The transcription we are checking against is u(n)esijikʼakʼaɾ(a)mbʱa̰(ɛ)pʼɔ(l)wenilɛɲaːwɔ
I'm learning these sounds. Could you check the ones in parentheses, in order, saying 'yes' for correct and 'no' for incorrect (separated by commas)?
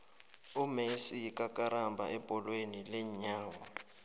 no, yes, yes, yes